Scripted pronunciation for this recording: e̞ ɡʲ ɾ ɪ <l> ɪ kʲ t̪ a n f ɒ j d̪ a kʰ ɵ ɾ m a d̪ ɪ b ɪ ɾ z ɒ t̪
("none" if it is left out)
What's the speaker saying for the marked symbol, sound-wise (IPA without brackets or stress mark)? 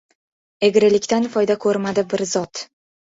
l